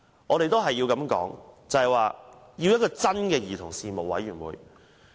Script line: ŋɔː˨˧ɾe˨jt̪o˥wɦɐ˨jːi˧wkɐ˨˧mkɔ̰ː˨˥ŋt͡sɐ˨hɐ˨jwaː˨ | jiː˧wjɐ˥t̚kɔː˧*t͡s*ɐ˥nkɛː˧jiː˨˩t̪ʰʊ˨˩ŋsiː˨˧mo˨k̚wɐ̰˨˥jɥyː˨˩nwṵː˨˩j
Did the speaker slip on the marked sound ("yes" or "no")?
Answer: no